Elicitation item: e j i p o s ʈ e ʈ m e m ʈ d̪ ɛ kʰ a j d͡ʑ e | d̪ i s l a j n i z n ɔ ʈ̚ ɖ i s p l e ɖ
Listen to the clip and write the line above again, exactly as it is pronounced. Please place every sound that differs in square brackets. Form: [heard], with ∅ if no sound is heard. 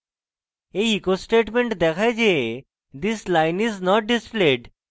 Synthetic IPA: e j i [k] o s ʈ e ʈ m e [ɳ] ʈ d̪ ɛ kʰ a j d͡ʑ e | d̪ i s l a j n i z n ɔ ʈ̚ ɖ i s p l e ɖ